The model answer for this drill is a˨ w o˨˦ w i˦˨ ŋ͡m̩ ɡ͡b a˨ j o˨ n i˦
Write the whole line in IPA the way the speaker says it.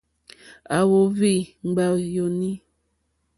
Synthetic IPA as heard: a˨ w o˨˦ v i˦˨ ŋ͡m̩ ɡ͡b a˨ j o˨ n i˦